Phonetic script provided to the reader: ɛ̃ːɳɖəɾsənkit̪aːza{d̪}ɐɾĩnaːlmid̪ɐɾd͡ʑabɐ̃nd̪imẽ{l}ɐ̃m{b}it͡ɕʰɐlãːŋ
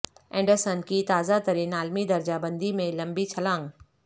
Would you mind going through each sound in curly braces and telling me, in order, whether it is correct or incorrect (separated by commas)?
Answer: incorrect, correct, correct